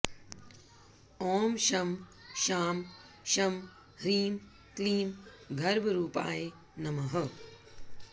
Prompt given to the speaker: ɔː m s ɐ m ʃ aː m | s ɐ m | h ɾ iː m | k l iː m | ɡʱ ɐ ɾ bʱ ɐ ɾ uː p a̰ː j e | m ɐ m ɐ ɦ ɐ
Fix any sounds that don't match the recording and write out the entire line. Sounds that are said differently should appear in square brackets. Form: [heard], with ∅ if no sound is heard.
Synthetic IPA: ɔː m [ʃ] ɐ m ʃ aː m | [ʃ] ɐ m | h ɾ iː m | k l iː m | ɡʱ ɐ ɾ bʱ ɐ ɾ uː p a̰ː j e | [n] ɐ m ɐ ɦ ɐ